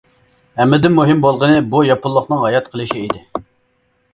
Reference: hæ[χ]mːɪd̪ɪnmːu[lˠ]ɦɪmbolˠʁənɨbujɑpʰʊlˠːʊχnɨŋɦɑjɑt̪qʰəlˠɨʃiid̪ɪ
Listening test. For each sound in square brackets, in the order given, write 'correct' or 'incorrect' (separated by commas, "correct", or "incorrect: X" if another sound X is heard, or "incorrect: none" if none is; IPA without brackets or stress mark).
incorrect: none, incorrect: none